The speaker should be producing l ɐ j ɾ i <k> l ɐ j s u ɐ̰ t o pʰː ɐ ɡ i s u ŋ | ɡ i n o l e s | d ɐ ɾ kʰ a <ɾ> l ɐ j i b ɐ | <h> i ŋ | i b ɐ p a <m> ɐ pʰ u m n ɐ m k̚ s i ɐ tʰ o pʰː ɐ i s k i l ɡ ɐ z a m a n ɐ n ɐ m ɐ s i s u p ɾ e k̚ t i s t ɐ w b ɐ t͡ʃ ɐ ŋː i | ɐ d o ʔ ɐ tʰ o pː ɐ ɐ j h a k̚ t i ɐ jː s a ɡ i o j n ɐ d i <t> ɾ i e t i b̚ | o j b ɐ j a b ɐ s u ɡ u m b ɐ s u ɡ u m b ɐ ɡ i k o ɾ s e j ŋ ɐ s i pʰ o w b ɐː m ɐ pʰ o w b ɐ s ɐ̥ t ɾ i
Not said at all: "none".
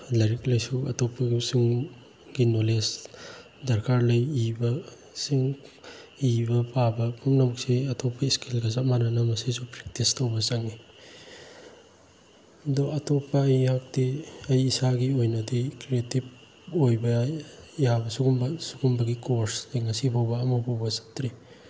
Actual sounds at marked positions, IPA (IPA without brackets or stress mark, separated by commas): k, ɾ, s, b, k